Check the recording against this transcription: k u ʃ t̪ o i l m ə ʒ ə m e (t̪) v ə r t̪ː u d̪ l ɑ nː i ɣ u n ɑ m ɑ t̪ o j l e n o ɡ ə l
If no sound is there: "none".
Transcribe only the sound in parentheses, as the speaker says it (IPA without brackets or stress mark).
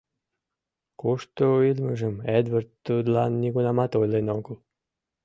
d̪